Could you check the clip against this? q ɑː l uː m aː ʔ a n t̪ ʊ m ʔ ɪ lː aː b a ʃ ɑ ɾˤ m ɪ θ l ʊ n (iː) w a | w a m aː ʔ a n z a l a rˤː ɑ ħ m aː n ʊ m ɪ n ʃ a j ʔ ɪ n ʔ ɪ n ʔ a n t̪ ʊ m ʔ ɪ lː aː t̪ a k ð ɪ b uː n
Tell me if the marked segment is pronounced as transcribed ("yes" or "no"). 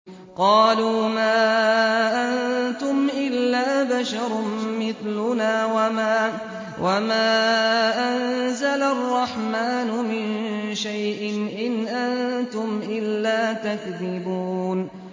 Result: no